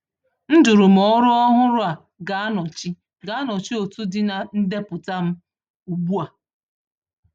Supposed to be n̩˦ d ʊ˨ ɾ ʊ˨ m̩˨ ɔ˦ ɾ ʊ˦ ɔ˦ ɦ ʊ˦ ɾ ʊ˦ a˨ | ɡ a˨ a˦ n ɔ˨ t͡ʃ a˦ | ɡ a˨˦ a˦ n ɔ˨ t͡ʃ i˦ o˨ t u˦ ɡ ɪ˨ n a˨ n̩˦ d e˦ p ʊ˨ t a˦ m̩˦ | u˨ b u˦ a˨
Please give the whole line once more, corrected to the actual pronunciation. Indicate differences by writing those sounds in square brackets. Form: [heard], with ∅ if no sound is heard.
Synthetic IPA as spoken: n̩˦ d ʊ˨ ɾ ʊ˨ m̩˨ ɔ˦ ɾ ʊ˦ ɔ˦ ɦ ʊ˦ ɾ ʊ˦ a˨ | ɡ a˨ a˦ n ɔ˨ t͡ʃ [i˦] | ɡ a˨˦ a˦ n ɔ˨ t͡ʃ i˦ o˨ t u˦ [d] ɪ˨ n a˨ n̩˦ d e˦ p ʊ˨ t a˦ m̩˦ | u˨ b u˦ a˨